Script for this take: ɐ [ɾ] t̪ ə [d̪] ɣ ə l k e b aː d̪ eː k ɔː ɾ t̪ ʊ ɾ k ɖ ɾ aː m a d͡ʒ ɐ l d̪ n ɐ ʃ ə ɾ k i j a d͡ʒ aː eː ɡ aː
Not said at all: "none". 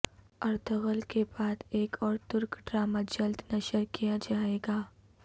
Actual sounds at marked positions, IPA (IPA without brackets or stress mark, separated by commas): ɾ, none